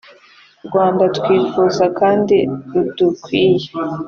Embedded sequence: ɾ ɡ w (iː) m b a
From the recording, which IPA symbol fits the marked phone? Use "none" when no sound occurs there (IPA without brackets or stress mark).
aː